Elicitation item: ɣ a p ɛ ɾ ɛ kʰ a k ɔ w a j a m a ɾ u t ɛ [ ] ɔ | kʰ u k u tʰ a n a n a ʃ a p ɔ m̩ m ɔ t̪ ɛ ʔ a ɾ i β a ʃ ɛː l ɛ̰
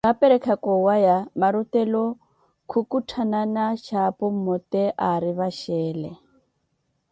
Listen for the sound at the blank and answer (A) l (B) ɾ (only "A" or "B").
A